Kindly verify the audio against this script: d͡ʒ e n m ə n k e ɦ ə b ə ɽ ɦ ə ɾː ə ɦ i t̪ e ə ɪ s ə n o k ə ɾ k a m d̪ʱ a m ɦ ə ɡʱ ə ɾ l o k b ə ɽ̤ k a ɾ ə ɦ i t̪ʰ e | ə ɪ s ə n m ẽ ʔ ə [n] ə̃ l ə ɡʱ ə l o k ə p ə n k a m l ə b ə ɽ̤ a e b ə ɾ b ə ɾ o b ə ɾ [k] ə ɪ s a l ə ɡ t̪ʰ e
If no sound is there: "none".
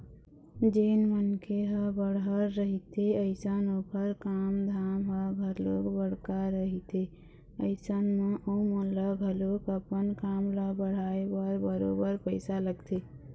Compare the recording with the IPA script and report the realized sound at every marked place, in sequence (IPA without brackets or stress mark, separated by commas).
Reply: m, p